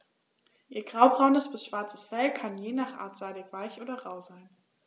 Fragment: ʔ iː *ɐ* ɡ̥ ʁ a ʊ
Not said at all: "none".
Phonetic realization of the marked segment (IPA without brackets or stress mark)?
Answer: ɐ